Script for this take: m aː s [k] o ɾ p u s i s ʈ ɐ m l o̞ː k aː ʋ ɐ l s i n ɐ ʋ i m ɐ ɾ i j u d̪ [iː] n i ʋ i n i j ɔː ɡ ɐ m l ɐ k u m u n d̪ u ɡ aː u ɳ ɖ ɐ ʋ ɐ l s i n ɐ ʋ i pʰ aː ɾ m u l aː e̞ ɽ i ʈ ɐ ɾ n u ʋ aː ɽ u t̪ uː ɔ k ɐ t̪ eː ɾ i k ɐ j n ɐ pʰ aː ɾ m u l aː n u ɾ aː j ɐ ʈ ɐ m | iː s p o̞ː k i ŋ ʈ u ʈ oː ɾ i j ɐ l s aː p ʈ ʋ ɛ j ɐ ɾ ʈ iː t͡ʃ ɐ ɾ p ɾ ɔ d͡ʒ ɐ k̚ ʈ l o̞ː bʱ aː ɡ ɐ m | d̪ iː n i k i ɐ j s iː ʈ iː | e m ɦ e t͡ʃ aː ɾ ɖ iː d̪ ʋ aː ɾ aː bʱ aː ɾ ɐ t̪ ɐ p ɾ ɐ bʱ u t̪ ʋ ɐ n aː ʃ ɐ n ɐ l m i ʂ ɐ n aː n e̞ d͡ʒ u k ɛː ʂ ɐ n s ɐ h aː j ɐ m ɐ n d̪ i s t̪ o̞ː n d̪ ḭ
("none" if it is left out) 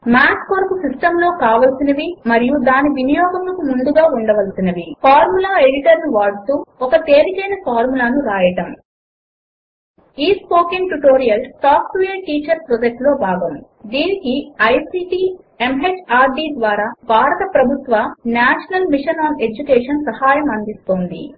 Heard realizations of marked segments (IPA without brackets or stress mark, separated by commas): k, aː